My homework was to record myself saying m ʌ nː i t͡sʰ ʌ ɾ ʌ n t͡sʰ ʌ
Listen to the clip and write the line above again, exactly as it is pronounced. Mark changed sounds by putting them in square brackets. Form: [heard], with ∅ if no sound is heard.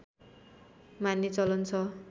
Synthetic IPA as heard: m [a] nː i [t͡s] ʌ [l] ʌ n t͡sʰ ʌ